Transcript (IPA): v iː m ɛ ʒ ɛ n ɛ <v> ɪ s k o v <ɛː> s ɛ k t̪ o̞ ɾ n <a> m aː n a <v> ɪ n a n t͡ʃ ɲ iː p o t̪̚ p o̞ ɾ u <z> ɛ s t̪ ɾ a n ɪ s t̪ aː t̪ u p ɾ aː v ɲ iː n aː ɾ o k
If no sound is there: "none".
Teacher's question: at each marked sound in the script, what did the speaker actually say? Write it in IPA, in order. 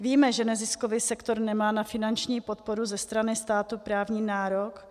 z, iː, ɛ, f, z

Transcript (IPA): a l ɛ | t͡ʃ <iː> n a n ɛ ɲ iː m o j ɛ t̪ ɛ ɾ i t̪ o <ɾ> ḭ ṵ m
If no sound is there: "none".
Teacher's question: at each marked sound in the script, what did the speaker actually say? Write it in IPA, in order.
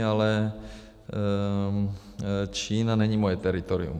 iː, ɾ

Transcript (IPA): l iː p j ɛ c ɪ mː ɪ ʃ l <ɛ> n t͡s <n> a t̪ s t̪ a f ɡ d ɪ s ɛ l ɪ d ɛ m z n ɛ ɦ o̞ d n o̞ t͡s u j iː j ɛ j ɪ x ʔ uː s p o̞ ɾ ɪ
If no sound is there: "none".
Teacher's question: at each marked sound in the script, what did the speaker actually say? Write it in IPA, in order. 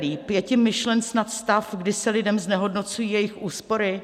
ɛ, n

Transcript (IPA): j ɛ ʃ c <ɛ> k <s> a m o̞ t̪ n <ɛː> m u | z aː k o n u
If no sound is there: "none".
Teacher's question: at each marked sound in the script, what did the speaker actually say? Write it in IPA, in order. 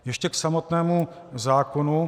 ɛ, s, ɛː

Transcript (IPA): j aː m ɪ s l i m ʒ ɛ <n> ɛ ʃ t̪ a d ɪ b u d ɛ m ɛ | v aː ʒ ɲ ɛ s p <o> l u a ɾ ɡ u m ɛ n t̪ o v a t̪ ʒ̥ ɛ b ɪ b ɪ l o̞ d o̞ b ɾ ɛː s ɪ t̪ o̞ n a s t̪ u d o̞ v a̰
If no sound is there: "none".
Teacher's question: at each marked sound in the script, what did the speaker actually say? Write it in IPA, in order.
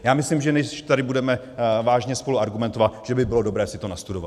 n, o

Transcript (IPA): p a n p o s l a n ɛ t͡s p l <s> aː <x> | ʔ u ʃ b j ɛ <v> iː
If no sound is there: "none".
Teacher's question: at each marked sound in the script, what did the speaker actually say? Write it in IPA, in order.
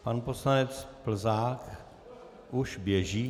z, k, ʒ

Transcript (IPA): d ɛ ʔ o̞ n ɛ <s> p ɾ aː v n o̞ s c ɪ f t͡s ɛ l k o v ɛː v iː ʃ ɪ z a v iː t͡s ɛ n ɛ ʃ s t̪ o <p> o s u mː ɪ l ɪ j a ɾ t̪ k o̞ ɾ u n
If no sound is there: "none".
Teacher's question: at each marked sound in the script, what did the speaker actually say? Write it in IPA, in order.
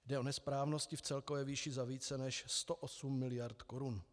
s, ʔ

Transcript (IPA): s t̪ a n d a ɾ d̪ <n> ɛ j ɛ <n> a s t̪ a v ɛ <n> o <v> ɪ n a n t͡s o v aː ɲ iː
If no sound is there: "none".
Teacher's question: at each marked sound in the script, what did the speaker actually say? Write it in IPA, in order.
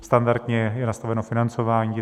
ɲ, n, n, f

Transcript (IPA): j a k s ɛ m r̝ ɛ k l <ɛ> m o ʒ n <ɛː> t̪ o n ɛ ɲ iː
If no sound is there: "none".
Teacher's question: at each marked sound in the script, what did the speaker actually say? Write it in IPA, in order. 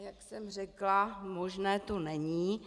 a, ɛː

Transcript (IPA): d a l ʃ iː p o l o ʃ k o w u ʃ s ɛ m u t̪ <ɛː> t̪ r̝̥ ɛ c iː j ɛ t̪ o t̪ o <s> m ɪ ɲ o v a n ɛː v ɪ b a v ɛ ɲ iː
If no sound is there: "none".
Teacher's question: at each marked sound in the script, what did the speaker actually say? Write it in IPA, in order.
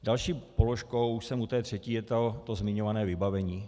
ɛː, z

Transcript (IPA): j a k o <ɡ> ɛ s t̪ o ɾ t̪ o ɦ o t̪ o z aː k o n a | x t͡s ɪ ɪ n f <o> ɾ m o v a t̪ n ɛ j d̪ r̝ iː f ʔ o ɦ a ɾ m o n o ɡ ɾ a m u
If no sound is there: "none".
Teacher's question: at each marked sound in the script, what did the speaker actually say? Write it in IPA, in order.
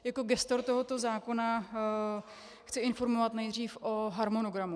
ɡ, o

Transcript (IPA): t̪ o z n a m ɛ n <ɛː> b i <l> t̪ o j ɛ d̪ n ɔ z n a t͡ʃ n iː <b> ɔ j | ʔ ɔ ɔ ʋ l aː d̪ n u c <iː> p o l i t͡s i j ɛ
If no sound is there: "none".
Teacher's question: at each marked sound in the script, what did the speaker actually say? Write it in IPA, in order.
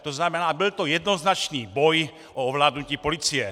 aː, l, b, iː

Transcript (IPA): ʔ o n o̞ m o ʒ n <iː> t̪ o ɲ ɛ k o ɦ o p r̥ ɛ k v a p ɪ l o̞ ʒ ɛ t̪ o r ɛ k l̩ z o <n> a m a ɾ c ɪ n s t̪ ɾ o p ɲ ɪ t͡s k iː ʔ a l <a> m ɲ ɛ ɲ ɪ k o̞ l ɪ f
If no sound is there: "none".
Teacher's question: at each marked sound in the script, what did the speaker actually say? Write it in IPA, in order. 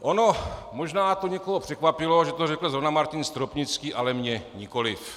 aː, n, ɛ

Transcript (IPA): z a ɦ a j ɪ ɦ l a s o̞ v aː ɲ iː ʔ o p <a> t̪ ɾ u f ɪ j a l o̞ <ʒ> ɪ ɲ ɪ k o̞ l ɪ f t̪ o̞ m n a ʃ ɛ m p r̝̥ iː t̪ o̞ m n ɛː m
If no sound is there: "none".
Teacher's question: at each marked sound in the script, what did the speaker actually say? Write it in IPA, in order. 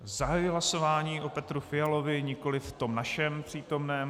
ɛ, v

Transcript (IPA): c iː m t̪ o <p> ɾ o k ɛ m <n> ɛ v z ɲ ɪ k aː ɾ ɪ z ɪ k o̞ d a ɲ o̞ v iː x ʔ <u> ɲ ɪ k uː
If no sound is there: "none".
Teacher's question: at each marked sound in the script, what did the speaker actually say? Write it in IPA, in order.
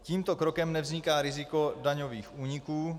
k, n, uː

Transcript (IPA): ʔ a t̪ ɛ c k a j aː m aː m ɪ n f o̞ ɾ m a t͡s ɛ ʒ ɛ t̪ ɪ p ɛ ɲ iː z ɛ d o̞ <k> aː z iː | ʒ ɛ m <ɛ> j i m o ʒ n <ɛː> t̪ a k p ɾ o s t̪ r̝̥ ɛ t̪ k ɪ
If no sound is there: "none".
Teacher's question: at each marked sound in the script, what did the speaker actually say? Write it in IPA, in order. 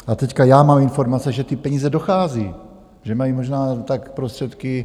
x, a, aː

